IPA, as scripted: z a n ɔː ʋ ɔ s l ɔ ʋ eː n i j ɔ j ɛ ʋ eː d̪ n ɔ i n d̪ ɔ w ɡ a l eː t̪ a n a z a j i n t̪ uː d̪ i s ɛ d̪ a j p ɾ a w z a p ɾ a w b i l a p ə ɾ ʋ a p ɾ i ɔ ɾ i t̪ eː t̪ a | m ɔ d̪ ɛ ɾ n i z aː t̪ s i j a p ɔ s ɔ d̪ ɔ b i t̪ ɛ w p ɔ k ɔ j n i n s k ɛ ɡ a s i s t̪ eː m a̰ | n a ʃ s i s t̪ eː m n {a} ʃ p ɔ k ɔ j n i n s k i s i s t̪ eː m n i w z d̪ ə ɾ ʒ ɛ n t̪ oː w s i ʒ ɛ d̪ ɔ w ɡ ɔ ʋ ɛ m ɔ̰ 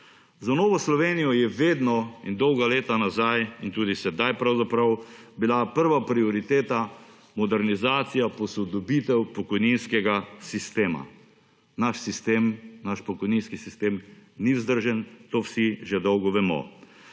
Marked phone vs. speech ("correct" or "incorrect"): correct